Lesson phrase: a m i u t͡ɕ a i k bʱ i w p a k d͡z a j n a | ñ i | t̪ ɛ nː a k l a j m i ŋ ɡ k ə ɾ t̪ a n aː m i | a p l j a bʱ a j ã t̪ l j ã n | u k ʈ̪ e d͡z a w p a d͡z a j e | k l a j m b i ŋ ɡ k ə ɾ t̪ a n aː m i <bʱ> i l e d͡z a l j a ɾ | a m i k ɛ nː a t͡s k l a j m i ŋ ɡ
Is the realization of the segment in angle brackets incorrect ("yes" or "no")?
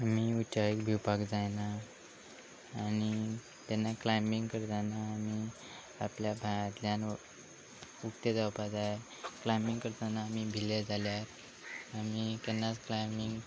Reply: no